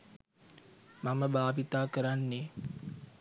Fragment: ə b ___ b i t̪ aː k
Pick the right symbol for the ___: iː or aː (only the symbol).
aː